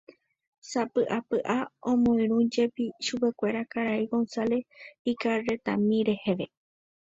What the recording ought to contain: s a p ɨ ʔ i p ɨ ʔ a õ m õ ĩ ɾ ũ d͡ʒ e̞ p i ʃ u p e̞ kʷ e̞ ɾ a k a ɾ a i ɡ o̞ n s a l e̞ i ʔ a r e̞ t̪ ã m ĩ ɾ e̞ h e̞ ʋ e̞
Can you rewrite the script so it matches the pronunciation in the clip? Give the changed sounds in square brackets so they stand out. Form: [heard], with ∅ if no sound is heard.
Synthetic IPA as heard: s a p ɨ ʔ [a] p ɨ ʔ a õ m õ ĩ ɾ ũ d͡ʒ e̞ p i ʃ u p e̞ kʷ e̞ ɾ a k a ɾ a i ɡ o̞ n s a l e̞ i [k] a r e̞ t̪ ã m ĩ ɾ e̞ h e̞ ʋ e̞